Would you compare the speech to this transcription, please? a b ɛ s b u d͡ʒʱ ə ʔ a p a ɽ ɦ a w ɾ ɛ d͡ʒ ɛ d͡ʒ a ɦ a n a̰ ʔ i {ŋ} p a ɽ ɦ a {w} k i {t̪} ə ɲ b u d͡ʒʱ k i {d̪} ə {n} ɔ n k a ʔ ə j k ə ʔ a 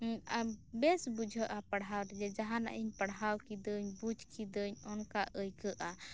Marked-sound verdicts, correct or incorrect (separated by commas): incorrect, correct, incorrect, correct, incorrect